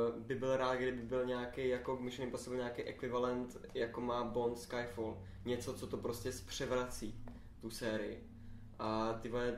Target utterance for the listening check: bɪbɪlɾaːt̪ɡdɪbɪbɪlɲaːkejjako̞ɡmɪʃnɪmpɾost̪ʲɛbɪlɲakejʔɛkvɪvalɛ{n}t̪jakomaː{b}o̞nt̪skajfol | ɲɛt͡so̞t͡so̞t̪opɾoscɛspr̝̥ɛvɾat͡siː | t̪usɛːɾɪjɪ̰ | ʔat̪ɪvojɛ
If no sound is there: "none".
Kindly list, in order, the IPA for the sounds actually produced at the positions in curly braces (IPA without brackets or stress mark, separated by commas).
n, b